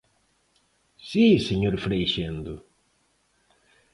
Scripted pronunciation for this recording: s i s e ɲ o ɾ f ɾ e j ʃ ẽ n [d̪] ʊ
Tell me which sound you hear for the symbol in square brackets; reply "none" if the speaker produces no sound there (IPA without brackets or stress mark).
d̪